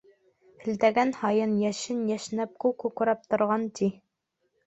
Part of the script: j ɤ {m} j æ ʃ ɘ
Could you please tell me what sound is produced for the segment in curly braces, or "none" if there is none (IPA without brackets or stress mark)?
n